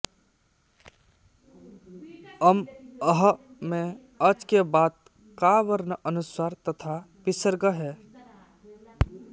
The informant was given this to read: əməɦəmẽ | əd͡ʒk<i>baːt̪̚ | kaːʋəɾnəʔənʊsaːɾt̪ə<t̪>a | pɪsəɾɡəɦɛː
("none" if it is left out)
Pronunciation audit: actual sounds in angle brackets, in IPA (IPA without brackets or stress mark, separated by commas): e, t̪ʰ